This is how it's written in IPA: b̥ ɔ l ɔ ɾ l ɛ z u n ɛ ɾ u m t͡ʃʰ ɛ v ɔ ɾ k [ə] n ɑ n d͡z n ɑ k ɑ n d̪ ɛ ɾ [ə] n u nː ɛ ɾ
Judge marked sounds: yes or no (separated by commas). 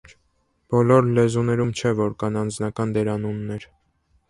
no, no